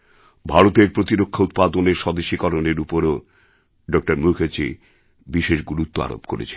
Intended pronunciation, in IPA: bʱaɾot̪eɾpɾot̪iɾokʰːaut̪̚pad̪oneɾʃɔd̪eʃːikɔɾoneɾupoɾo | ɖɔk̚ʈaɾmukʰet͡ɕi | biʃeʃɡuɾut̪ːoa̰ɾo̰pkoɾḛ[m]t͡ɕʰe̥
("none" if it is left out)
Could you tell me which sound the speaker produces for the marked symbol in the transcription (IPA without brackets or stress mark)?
none